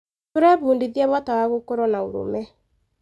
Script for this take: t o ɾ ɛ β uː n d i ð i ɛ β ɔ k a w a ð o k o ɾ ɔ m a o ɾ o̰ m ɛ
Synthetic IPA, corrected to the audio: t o ɾ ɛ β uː n d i ð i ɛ β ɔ t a w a ɣ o k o ɾ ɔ n a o ɾ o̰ m ɛ